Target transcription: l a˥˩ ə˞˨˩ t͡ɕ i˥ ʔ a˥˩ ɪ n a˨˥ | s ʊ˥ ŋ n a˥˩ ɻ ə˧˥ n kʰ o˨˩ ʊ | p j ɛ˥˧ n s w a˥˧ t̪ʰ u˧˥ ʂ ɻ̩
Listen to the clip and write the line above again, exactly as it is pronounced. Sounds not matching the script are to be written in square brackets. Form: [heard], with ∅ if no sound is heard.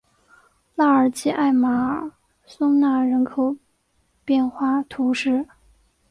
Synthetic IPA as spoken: l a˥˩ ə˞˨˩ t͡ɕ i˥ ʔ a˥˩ ɪ [m] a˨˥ | s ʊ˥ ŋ n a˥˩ ɻ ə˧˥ n kʰ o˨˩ ʊ | p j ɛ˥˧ n [x] w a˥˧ t̪ʰ u˧˥ ʂ ɻ̩